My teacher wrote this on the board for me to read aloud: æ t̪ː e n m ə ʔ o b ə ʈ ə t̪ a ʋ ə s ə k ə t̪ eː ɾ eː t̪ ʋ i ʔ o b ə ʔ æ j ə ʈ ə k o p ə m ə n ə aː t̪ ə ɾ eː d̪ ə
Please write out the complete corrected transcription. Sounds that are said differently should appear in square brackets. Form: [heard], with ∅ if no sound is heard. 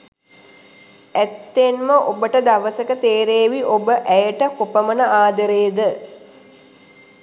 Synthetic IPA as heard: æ t̪ː e n m ə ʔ o b ə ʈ ə [d̪] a ʋ ə s ə k ə t̪ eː ɾ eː [∅] ʋ i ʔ o b ə ʔ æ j ə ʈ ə k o p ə m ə n ə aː [d̪] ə ɾ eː d̪ ə